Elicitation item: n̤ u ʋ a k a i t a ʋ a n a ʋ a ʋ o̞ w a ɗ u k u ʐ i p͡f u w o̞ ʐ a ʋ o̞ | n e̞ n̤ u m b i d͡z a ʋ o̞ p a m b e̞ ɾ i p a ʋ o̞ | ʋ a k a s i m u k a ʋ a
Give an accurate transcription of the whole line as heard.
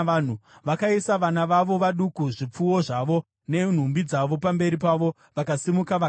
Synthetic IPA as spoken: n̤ u ʋ a k a i s a ʋ a n a ʋ a ʋ o̞ ʋ a ɗ u k u ʐ i p͡f u w o̞ ʐ a ʋ o̞ | n e̞ n̤ u m b i d͡z a ʋ o̞ p a m b e̞ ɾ i p a ʋ o̞ | ʋ a k a s i m u k a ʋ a